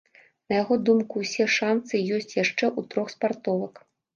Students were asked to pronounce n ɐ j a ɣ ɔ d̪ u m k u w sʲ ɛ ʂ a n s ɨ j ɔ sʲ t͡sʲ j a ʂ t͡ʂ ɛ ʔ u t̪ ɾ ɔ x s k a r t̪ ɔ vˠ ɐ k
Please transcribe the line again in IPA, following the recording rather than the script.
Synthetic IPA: n ɐ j a ɣ ɔ d̪ u m k u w sʲ ɛ ʂ a n s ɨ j ɔ sʲ t͡sʲ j a ʂ t͡ʂ ɛ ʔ u t̪ ɾ ɔ x s p a r t̪ ɔ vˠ ɐ k

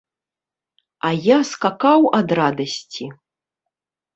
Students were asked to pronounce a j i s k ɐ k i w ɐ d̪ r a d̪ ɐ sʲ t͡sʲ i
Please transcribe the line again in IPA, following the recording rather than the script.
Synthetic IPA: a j a s k a k a w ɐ d̪ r a d̪ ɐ sʲ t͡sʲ i

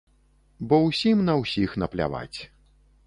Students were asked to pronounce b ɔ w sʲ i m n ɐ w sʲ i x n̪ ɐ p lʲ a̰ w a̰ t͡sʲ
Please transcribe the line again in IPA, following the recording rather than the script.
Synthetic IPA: b ɔ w sʲ i m n ɐ w sʲ i x n̪ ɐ p lʲ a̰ v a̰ t͡sʲ

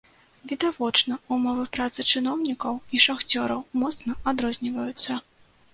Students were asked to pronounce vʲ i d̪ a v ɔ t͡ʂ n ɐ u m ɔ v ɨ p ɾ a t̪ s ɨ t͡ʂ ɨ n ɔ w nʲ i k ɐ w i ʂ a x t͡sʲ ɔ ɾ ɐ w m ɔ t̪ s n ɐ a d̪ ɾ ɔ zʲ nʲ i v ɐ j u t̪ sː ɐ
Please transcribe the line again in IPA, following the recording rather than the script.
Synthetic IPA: vʲ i d̪ a v ɔ t͡ʂ n ɐ u m ɔ v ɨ p ɾ a t̪ s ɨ t͡ʂ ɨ n ɔ w nʲ i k ɐ w i ʂ a x t͡sʲ ɔ ɾ ɐ w m ɔ t̪ s n ɐ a d̪ ɾ ɔ zʲ nʲ i v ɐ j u t̪ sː ɐ

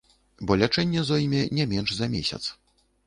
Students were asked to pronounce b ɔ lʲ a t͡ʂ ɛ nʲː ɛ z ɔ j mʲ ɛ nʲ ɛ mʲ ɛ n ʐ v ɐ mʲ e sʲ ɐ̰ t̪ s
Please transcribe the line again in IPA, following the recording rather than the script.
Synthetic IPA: b ɔ lʲ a t͡ʂ ɛ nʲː ɛ z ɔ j mʲ ɛ nʲ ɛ mʲ ɛ n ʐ z ɐ mʲ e sʲ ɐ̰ t̪ s

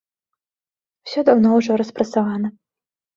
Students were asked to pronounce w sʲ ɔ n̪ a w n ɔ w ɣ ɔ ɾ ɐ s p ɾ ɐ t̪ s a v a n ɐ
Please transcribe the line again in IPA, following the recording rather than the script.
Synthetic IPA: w sʲ ɔ d̪ a w n ɔ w ʐ ɔ ɾ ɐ s p ɾ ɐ t̪ s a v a n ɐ

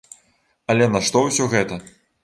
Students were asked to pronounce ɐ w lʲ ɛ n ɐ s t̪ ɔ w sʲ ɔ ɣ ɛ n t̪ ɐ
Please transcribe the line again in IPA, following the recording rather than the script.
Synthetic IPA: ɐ lʲ ɛ n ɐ ʂ t̪ ɔ w sʲ ɔ ɣ ɛ t̪ ɐ

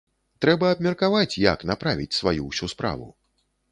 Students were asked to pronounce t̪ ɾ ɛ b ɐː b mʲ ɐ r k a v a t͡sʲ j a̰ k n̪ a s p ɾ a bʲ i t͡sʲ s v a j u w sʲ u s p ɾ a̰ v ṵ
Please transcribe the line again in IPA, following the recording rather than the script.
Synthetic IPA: t̪ ɾ ɛ b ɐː b mʲ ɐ r k a v a t͡sʲ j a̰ k n̪ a p ɾ a vʲ i t͡sʲ s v a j u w sʲ u s p ɾ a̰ v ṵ

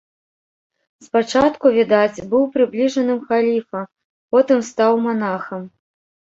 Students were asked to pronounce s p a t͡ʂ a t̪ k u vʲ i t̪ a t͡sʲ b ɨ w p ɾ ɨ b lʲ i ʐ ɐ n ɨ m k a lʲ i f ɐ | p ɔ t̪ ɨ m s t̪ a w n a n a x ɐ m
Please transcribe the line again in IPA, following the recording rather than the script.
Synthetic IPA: s p a t͡ʂ a t̪ k u vʲ i d̪ a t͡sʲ b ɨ w p ɾ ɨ b lʲ i ʐ ɐ n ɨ m x a lʲ i f ɐ | p ɔ t̪ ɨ m s t̪ a w m a n a x ɐ m

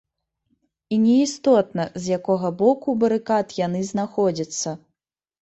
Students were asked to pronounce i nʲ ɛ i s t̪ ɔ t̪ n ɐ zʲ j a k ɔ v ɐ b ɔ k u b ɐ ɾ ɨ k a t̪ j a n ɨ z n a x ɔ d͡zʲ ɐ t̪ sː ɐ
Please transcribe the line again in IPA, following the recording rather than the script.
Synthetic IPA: i nʲ ɛ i s t̪ ɔ t̪ n ɐ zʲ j a k ɔ ɣ ɐ b ɔ k u b ɐ ɾ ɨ k a t̪ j a n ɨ z n a x ɔ d͡zʲ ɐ t̪ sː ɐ

